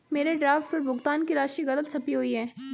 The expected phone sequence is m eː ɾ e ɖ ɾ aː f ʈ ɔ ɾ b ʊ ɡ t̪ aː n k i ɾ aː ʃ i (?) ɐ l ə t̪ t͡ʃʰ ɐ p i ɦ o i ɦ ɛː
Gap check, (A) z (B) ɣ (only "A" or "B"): B